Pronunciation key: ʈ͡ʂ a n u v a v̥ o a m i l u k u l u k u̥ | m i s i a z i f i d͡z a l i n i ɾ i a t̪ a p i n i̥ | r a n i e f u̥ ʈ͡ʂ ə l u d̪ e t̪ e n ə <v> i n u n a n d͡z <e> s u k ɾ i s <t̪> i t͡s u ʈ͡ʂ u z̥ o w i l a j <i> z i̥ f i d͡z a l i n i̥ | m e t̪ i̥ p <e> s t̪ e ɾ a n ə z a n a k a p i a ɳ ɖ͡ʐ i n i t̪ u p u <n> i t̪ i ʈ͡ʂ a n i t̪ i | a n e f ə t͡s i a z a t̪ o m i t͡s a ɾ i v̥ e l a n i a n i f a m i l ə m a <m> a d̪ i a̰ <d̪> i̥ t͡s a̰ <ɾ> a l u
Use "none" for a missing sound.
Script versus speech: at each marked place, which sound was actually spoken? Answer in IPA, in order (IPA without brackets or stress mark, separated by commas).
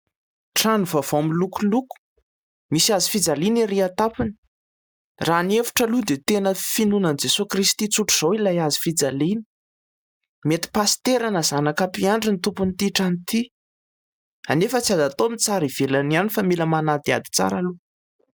f, e, t̪, a, a, n, n, d̪, ɾ